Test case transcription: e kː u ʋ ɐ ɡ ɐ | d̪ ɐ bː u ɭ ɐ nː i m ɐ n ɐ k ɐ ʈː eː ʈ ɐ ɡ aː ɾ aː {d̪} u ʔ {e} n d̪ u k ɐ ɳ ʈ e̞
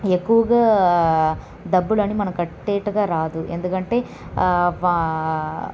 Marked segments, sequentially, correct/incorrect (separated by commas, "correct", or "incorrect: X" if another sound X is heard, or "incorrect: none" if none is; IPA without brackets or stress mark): correct, correct